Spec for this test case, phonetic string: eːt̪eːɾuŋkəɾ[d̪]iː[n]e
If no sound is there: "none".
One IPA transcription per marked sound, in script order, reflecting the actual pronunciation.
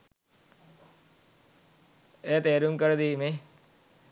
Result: d̪, m

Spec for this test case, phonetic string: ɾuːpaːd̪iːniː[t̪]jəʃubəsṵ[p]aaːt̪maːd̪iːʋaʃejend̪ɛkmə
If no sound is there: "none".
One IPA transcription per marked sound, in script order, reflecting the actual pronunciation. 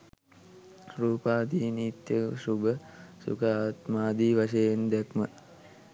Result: t̪, k

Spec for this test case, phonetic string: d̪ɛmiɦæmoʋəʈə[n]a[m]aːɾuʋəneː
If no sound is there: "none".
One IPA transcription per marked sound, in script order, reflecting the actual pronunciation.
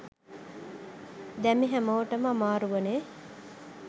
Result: m, m

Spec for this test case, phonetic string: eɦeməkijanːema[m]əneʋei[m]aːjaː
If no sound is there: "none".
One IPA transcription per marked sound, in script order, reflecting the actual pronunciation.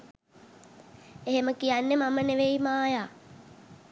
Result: m, m

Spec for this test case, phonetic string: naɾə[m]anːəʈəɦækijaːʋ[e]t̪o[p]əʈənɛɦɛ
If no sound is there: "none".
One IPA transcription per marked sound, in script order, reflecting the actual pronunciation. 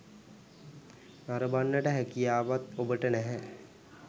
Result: b, a, b

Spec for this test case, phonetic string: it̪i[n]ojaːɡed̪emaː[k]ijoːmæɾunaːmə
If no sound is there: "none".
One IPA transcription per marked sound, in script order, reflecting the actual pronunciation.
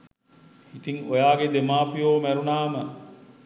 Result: ŋ, p

